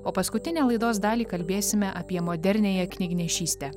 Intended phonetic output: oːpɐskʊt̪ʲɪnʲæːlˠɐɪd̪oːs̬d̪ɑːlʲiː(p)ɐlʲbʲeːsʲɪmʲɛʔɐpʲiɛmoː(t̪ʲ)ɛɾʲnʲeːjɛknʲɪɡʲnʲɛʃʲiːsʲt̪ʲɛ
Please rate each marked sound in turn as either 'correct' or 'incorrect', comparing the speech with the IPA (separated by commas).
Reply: incorrect, incorrect